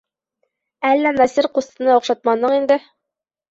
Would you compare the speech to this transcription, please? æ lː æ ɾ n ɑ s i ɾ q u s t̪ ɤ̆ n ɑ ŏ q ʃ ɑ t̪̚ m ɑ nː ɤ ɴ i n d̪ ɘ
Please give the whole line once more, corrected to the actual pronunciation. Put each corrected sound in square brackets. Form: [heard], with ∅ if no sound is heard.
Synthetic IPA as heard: æ lː æ [∅] n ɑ s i ɾ q u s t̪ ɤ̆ n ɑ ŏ q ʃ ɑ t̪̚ m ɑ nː ɤ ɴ i n d̪ ɘ